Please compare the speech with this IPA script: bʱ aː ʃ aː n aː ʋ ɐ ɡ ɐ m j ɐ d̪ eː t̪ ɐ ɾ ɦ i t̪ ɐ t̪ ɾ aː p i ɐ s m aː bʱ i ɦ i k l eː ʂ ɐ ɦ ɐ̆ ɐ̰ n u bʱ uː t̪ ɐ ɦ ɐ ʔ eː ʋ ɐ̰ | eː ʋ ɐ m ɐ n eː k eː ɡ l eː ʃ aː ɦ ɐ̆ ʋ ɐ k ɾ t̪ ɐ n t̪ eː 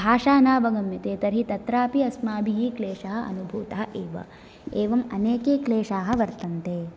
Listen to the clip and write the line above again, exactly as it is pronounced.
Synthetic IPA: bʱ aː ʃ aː n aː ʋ ɐ ɡ ɐ m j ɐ t̪ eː t̪ ɐ ɾ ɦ i t̪ ɐ t̪ ɾ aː p i ɐ s m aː bʱ i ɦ i k l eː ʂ ɐ ɦ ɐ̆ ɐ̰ n u bʱ uː t̪ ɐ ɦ ɐ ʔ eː ʋ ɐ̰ | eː ʋ ɐ m ɐ n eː k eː k l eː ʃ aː ɦ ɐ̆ ʋ ɐ ɾ t̪ ɐ n t̪ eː

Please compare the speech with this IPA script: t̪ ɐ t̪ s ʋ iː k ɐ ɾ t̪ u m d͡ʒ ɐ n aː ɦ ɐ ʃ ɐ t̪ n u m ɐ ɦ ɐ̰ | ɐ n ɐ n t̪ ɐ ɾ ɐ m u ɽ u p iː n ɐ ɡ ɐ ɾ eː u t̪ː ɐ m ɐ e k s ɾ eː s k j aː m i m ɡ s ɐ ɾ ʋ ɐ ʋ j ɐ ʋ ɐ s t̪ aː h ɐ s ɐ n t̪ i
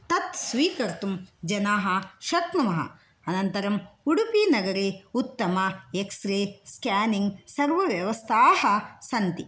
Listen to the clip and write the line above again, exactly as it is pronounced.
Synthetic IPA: t̪ ɐ t̪ s ʋ iː k ɐ ɾ t̪ u m d͡ʒ ɐ n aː ɦ ɐ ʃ ɐ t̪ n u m ɐ ɦ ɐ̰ | ɐ n ɐ n t̪ ɐ ɾ ɐ m u ɽ u p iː n ɐ ɡ ɐ ɾ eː u t̪ː ɐ m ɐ e k s ɾ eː s k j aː n i ŋ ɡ s ɐ ɾ ʋ ɐ ʋ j ɐ ʋ ɐ s t̪ʰ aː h ɐ s ɐ n t̪ i

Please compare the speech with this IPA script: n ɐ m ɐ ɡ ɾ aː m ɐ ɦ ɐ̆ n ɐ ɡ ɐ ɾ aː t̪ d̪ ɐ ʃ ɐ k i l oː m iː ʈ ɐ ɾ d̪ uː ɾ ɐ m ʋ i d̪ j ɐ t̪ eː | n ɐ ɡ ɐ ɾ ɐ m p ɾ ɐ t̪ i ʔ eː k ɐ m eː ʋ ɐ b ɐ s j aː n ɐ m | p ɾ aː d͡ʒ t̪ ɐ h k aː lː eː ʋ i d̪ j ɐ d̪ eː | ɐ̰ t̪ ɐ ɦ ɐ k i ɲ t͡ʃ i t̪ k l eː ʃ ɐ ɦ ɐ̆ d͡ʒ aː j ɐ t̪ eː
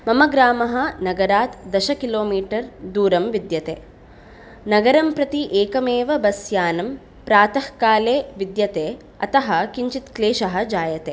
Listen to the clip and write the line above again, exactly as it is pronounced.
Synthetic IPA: m ɐ m ɐ ɡ ɾ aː m ɐ ɦ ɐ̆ n ɐ ɡ ɐ ɾ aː t̪ d̪ ɐ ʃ ɐ k i l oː m iː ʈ ɐ ɾ d̪ uː ɾ ɐ m ʋ i d̪ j ɐ t̪ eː | n ɐ ɡ ɐ ɾ ɐ m p ɾ ɐ t̪ i ʔ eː k ɐ m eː ʋ ɐ b ɐ s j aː n ɐ m | p ɾ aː t̪ ɐ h k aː l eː ʋ i d̪ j ɐ t̪ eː | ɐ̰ t̪ ɐ ɦ ɐ k i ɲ t͡ʃ i t̪ k l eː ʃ ɐ ɦ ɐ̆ d͡ʒ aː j ɐ t̪ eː

